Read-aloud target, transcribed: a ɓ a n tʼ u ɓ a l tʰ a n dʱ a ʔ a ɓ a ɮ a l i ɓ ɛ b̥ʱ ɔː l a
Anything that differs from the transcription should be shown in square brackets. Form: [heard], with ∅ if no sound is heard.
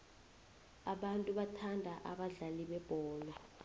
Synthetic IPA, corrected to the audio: a ɓ a n tʼ u ɓ a [∅] tʰ a n dʱ a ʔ a ɓ a ɮ a l i ɓ ɛ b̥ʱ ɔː l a